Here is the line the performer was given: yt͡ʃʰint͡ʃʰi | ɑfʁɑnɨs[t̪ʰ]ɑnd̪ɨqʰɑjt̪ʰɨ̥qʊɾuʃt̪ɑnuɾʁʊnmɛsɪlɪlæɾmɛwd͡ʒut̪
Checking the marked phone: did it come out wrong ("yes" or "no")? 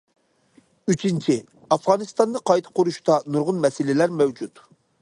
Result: yes